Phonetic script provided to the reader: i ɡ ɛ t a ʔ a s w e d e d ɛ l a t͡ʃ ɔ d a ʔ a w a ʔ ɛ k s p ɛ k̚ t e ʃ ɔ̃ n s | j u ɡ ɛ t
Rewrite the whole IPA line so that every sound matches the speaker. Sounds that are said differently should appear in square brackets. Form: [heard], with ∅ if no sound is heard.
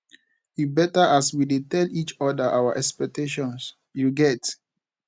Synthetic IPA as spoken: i [b] ɛ t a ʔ a s w [i] d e [t] ɛ l [i] t͡ʃ ɔ d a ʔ a w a ʔ ɛ k s p ɛ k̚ t e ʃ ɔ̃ n s | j u ɡ ɛ t

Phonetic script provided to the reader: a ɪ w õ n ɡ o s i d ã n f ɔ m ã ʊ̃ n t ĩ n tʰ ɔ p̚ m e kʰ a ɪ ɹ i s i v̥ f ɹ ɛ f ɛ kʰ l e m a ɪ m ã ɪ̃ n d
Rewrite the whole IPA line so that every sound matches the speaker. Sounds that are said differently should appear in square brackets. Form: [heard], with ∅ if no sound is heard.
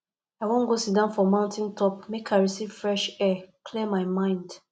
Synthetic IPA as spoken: a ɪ w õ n ɡ o s i d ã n f ɔ m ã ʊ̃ n t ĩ n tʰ ɔ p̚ m e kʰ a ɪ ɹ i s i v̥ f ɹ ɛ [ʃ] ɛ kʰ l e m a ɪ m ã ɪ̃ n d

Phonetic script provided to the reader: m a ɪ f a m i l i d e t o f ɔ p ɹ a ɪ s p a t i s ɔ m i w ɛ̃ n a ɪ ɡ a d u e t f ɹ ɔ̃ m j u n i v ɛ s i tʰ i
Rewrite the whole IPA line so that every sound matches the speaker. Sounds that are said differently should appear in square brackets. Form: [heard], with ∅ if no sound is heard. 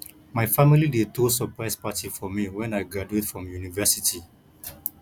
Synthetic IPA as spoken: m a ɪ f a m i l i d e t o [s] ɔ p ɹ a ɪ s p a t i [f] ɔ m i w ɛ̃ n a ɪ ɡ a d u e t f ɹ ɔ̃ m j u n i v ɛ s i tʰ i

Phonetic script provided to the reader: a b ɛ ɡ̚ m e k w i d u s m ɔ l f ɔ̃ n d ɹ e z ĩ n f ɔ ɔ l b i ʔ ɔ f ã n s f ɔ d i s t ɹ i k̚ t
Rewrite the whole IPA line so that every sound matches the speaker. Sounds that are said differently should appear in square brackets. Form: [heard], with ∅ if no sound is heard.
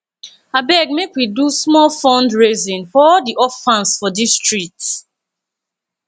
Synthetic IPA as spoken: a b ɛ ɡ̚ m e k w i d u s m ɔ l f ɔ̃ n d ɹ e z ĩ n f ɔ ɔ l [d] i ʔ ɔ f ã n s f ɔ d i s t ɹ i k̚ t

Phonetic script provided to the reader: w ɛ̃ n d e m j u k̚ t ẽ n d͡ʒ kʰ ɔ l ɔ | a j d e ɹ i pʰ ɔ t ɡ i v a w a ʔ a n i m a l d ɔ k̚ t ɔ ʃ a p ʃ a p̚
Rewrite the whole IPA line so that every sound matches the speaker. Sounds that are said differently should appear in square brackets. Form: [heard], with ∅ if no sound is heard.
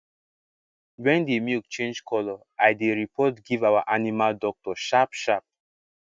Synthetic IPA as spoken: w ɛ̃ n d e m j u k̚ [t͡ʃ] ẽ n d͡ʒ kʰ ɔ l ɔ | a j d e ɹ i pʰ ɔ t ɡ i v a w a ʔ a n i m a l d ɔ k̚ t ɔ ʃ a p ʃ a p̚

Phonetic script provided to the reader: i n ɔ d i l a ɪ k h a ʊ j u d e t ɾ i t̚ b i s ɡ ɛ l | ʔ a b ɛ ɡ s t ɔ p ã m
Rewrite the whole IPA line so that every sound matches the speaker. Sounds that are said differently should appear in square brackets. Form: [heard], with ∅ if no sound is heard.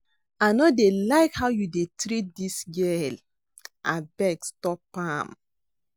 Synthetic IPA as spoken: [a] n ɔ d [e] l a ɪ k h a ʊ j u d e t ɾ i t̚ [d] i s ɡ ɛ l | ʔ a b ɛ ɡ s t ɔ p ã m

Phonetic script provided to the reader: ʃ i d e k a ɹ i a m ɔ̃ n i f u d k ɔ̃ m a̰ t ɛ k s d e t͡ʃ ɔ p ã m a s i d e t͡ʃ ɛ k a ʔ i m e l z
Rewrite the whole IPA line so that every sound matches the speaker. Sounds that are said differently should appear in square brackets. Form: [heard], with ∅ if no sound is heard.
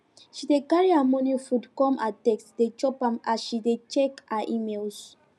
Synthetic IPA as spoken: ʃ i d e k a ɹ i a m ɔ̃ n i f u d k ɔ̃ m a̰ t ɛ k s d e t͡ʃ ɔ p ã m a [ʃ] i d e t͡ʃ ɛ k a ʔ i m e l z

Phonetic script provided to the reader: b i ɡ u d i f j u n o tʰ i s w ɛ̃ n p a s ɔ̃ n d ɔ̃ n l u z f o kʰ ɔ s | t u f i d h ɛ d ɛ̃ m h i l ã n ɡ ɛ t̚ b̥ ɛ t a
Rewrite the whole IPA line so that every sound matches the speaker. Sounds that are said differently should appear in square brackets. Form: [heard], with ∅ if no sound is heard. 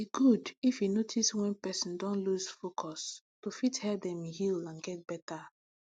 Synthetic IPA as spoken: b i ɡ u d i f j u n o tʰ i s w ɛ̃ n p [ɛ] s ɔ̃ n d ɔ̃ n l u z f o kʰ ɔ s | t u f i [t] h ɛ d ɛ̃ m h i l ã n ɡ ɛ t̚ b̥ ɛ t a

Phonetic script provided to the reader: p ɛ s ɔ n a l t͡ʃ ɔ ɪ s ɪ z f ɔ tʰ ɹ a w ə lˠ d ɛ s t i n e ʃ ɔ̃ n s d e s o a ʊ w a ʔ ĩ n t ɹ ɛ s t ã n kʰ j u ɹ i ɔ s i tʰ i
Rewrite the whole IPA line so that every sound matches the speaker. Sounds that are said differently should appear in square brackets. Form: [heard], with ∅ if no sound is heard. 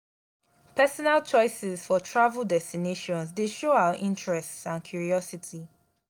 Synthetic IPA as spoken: p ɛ s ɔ n a l t͡ʃ ɔ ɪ s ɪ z f ɔ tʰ ɹ a [v] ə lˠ d ɛ s t i n e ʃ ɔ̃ n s d e [ʃ] o a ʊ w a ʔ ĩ n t ɹ ɛ s t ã n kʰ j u ɹ i ɔ s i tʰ i

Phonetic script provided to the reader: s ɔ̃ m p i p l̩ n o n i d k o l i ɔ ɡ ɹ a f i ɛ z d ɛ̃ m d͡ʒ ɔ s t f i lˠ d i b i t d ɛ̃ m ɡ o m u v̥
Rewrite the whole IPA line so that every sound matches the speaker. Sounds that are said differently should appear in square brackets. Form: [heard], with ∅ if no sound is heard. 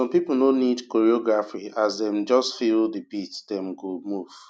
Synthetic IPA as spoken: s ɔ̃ m p i p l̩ n o n i d k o [ɹ] i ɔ ɡ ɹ a f i [a] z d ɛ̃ m d͡ʒ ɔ s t f i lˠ d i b i t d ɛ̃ m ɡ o m u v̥

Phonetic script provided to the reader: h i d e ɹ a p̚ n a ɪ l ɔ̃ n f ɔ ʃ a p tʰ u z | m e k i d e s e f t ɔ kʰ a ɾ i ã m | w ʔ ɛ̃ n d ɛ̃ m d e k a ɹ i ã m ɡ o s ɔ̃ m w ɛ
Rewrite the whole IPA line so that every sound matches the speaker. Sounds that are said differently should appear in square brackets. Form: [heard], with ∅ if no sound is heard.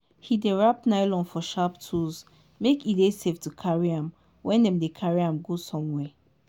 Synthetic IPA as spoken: h i d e ɹ a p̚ n a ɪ l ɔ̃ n f ɔ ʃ a p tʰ u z | m e k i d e s e f t [u] kʰ a [ɹ] i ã m | w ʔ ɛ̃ n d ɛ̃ m d e [kʰ] a ɹ i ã m ɡ o s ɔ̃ m w ɛ

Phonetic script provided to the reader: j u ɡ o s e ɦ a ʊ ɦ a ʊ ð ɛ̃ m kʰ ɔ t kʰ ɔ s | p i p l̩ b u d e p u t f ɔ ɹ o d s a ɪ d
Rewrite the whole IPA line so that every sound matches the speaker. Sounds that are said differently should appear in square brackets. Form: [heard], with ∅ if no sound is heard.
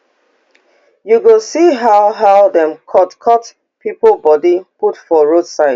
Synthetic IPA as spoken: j u ɡ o s [i] ɦ a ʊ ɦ a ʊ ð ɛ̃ m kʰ ɔ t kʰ ɔ [t] | p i p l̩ b [ɔ] d [i] p u t f ɔ ɹ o d s a ɪ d

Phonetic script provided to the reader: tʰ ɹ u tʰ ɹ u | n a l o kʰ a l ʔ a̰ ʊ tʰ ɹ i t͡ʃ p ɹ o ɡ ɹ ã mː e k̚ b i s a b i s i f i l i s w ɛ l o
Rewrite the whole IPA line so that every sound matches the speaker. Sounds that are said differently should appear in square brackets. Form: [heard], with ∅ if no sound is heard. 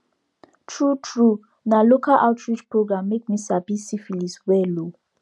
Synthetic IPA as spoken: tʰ ɹ u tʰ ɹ u | n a l o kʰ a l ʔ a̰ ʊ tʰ ɹ i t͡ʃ p ɹ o ɡ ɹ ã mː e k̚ [m] i s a b i s i f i l i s w ɛ l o

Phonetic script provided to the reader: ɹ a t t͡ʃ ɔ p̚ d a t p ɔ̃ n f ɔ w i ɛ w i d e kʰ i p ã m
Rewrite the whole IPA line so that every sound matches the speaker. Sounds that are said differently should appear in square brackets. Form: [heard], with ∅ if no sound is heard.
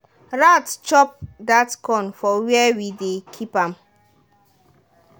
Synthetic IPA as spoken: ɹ a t t͡ʃ ɔ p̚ d a t [k] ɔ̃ n f ɔ w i ɛ w i d e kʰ i p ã m

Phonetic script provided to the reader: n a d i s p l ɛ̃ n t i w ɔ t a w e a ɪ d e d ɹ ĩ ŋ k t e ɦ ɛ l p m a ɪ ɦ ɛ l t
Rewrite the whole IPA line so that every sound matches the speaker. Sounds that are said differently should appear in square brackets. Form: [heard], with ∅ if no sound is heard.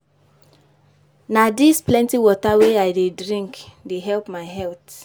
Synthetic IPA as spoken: n a d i s p l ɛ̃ n t i w ɔ t a w e a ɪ d e d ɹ ĩ ŋ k [d] e ɦ ɛ l p m a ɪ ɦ ɛ l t

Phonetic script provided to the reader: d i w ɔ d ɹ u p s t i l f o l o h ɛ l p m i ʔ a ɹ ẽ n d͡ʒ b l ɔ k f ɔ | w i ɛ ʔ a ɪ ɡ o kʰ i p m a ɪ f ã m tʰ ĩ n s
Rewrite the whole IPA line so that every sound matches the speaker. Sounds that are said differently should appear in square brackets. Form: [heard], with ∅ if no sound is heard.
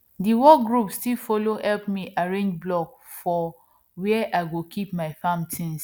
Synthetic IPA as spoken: d i w ɔ [ɡ] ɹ u p s t i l f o l o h ɛ l p m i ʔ a ɹ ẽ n d͡ʒ b l ɔ k f ɔ | w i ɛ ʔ a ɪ ɡ o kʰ i p m a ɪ f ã m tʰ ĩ n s

